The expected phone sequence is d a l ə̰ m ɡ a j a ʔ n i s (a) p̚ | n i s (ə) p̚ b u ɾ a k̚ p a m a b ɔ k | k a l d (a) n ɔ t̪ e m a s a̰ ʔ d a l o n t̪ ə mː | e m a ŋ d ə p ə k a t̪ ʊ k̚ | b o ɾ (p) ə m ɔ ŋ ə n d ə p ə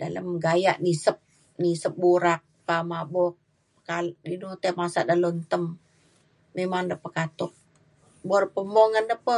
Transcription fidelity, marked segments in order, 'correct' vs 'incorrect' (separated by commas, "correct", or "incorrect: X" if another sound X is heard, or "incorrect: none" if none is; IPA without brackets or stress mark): incorrect: ə, correct, incorrect: i, correct